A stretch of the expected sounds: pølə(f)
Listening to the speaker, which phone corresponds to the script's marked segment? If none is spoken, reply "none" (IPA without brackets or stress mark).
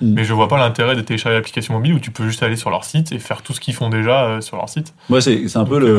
none